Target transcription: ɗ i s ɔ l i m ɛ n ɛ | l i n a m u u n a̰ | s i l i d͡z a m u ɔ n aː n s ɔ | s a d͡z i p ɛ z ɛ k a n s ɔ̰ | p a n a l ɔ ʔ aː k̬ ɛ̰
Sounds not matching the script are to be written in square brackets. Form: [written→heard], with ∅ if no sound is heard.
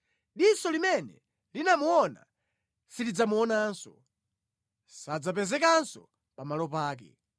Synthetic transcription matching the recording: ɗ i s ɔ l i m ɛ n ɛ | l i n a m u [u→ɔ] n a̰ | s i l i d͡z a m u ɔ n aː n s ɔ | s a d͡z [i→a] p ɛ z ɛ k a n s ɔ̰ | p a [n→m] a l ɔ [ʔ→p] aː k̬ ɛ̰